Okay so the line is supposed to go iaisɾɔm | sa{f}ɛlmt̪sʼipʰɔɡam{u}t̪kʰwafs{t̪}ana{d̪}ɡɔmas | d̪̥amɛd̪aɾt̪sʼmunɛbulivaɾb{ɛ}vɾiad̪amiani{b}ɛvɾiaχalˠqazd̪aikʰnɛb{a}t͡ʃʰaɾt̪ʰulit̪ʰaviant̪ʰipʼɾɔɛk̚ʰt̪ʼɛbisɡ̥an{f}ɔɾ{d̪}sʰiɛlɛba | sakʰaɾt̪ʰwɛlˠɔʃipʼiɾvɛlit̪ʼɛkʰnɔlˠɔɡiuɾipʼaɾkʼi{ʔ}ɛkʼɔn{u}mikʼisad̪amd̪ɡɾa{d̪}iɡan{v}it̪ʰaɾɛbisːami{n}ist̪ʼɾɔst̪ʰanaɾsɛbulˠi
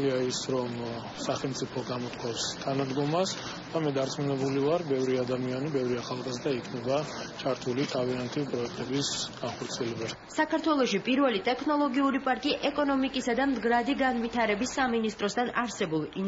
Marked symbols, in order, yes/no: no, no, no, yes, yes, yes, yes, no, no, yes, no, yes, yes, yes

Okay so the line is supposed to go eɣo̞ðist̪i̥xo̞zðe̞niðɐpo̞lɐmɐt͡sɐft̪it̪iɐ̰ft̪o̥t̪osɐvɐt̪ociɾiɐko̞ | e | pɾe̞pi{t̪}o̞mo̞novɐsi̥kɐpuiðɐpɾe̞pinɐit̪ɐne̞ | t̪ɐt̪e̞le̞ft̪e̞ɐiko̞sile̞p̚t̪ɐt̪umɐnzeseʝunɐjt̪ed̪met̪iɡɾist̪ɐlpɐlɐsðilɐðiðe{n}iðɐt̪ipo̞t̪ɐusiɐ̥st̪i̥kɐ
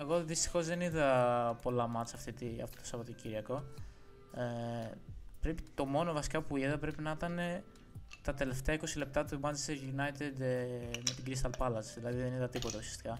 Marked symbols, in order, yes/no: yes, yes

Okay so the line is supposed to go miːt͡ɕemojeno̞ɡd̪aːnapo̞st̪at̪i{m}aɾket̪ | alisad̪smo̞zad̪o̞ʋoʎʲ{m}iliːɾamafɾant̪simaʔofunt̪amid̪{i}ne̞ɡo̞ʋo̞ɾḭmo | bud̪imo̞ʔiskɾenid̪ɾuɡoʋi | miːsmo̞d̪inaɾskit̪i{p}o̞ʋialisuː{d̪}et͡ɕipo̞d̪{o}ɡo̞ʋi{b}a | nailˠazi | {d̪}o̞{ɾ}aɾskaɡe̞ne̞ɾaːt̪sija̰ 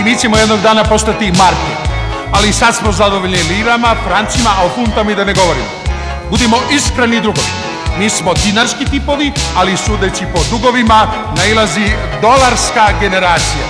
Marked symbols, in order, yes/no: yes, no, no, yes, yes, no, no, yes, no

